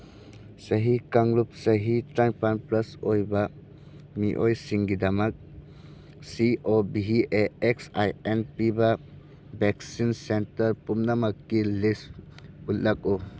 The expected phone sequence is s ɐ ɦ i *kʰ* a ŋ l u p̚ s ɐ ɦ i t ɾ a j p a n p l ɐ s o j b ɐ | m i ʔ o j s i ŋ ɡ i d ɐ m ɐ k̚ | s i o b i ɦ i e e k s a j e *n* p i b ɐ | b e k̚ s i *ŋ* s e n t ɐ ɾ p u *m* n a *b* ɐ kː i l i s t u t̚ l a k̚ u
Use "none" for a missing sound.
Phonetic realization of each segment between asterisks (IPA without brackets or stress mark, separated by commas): k, n, n, m, m